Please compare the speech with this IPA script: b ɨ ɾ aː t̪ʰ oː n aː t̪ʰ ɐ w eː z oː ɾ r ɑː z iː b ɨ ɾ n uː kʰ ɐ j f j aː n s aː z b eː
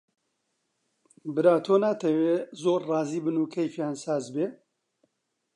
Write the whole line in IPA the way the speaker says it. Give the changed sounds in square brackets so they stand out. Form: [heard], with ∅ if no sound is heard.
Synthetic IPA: b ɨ ɾ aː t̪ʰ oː n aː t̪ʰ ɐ w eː z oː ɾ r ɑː z iː b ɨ [∅] n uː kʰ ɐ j f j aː n s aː z b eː